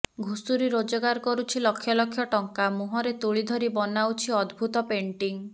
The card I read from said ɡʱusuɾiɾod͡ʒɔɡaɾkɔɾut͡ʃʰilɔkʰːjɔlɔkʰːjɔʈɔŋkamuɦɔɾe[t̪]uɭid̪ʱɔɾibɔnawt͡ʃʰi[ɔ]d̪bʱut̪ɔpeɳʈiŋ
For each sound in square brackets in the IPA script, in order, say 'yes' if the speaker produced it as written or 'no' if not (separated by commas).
yes, yes